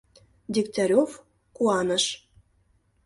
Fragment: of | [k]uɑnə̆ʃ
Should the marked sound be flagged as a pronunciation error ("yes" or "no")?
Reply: no